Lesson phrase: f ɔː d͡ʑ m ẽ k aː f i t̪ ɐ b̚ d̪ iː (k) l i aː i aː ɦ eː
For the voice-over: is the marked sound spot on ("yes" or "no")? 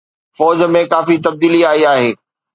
no